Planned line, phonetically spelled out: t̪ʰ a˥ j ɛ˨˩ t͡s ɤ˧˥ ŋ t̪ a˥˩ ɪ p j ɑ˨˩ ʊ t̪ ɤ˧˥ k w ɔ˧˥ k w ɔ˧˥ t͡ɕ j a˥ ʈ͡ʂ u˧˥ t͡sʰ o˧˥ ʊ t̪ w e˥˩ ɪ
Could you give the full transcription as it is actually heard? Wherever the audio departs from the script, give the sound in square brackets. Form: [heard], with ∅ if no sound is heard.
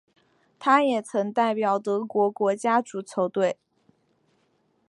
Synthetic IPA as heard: t̪ʰ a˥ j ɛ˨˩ [t͡sʰ] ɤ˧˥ ŋ t̪ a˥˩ ɪ p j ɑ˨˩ ʊ t̪ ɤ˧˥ k w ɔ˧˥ k w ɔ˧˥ t͡ɕ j a˥ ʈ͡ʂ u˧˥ t͡sʰ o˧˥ ʊ t̪ w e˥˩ ɪ